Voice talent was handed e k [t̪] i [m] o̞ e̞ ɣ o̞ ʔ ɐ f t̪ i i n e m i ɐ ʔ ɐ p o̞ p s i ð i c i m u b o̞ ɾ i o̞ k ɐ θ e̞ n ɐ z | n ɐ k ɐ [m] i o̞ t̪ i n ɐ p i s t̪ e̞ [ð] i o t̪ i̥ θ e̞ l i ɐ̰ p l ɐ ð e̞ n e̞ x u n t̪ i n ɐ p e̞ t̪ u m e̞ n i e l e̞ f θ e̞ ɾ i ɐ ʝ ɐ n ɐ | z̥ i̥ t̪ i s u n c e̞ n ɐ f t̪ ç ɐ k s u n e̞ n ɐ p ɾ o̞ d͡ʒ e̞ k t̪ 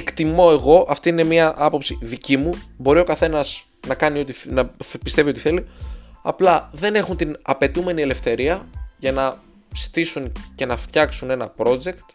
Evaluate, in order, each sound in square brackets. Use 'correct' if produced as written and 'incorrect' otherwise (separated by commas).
correct, correct, incorrect, incorrect